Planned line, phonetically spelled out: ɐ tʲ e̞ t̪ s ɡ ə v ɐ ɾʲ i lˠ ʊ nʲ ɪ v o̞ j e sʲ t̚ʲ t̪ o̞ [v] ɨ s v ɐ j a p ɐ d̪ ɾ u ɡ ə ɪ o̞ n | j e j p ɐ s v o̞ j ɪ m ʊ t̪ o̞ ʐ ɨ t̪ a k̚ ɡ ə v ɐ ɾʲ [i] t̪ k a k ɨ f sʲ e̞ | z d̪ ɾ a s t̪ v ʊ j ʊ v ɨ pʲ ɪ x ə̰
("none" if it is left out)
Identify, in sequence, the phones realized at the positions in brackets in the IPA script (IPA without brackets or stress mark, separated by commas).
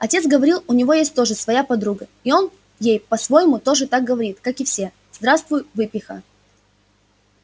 ʐ, i